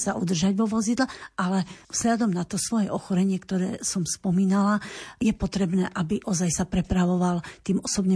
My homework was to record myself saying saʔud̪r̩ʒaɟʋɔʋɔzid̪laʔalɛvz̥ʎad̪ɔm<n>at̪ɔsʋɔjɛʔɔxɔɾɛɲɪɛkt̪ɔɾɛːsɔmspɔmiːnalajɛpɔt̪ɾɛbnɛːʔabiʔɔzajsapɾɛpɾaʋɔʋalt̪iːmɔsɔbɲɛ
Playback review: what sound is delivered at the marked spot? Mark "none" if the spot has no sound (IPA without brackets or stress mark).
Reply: n